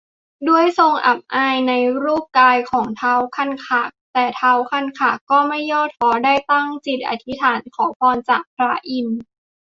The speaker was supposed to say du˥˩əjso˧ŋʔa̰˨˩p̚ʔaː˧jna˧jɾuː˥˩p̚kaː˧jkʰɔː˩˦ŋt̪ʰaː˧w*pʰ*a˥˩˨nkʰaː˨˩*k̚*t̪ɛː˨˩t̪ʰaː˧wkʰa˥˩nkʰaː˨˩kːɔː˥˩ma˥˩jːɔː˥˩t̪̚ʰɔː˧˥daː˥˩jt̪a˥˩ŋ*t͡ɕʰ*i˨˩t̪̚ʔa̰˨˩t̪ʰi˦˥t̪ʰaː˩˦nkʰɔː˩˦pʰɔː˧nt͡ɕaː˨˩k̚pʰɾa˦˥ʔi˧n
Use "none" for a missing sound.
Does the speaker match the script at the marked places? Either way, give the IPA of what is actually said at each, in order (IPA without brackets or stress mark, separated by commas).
kʰ, k̚, t͡ɕ